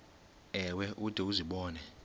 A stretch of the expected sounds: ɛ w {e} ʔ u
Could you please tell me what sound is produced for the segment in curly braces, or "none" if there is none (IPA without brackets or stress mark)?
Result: ɛ